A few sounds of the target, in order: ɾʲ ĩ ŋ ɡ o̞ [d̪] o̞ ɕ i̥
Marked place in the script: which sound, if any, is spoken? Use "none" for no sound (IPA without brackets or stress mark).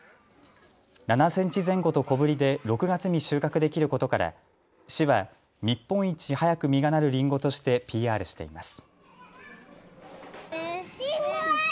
t̪